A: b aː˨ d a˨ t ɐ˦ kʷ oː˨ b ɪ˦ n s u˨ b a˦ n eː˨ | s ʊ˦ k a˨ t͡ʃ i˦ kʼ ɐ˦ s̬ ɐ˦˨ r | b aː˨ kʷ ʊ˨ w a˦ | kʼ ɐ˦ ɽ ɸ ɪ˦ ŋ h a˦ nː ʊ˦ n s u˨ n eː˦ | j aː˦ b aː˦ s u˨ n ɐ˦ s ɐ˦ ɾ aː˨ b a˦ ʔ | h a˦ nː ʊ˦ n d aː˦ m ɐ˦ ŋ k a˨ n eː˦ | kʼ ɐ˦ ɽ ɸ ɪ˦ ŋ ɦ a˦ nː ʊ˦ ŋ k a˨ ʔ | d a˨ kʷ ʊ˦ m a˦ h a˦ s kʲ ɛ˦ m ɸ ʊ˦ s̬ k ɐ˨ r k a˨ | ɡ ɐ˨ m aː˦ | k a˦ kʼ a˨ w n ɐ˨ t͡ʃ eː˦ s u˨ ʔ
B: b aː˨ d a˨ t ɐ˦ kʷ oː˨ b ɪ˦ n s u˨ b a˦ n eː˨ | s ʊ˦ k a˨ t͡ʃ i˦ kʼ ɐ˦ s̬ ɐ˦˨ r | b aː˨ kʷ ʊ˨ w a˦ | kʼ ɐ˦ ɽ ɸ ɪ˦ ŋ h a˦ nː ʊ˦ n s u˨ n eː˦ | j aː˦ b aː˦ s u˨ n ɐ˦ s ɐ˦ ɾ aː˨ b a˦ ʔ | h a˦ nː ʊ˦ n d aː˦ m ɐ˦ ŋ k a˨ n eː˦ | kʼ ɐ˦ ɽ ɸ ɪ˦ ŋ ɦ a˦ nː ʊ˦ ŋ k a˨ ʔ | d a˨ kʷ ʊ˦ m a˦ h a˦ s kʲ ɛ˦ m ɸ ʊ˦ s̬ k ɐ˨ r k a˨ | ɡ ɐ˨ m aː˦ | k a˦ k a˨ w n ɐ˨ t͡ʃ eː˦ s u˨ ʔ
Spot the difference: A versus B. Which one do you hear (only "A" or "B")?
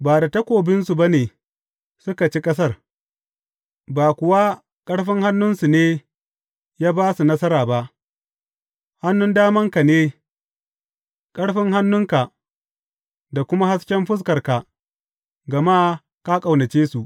A